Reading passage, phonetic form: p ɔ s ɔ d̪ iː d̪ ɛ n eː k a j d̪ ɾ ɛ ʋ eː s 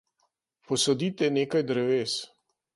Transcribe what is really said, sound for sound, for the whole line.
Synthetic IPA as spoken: p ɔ s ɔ d̪ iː t̪ ɛ n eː k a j d̪ ɾ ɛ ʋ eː s

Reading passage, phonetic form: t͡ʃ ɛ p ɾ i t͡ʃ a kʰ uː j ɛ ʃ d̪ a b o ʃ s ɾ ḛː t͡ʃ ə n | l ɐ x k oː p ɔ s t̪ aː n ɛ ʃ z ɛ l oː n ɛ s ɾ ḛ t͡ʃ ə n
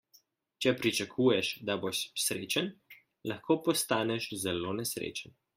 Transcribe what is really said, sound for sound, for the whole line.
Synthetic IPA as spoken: t͡ʃ ɛ p ɾ i t͡ʃ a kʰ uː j ɛ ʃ d̪ a b o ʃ s ɾ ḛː t͡ʃ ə n | l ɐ x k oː p ɔ s t̪ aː n ɛ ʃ z ɛ l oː n ɛ s ɾ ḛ t͡ʃ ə n

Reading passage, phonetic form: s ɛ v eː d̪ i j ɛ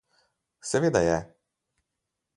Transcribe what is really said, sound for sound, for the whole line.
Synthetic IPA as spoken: s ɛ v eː d̪ a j ɛ

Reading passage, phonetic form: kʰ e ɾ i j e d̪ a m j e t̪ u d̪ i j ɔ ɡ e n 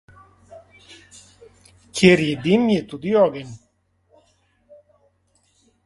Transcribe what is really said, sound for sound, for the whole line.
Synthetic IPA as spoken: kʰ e ɾ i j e d̪ i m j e t̪ u d̪ i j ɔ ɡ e n

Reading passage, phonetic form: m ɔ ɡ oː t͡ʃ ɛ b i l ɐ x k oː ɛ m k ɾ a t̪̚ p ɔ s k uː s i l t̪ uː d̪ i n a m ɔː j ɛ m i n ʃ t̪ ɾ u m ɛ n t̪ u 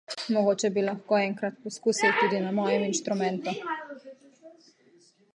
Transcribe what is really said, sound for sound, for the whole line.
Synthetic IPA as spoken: m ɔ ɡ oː t͡ʃ ɛ b i l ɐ x k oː ɛ ŋ k ɾ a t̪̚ p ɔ s k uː s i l t̪ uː d̪ i n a m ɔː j ɛ m i n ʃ t̪ ɾ u m ɛ n t̪ u

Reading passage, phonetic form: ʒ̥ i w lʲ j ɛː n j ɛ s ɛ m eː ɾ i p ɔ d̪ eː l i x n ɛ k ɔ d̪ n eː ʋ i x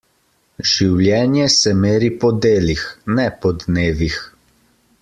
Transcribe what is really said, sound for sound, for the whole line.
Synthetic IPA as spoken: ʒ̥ i w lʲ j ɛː n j ɛ s ɛ m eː ɾ i p ɔ d̪ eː l i x n ɛ p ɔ d̪ n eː ʋ i x

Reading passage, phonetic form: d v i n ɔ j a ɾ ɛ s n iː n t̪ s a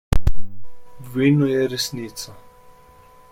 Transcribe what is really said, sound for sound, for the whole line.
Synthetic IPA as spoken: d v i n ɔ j ɛ ɾ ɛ s n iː t̪ s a

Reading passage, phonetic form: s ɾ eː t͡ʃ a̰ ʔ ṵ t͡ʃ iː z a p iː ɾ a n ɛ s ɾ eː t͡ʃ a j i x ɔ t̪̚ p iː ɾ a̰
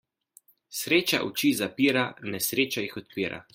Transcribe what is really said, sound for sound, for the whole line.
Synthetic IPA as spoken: s ɾ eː t͡ʃ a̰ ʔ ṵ t͡ʃ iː z a p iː ɾ a n ɛ s ɾ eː t͡ʃ a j i x ɔ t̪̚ p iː ɾ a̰

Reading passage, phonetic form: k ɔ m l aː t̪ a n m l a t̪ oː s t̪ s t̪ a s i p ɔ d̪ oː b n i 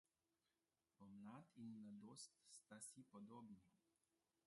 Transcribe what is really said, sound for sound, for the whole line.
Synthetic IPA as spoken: p ɔ m l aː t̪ i n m l a d̪ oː s t̪ s t̪ a s i p ɔ d̪ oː b n i

